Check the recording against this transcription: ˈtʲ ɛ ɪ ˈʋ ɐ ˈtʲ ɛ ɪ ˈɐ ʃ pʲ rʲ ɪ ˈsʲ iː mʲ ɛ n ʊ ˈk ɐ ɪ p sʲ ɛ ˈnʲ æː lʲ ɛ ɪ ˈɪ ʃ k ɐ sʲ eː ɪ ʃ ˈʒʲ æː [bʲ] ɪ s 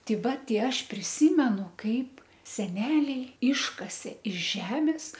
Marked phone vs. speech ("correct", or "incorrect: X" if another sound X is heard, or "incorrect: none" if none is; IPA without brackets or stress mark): incorrect: mʲ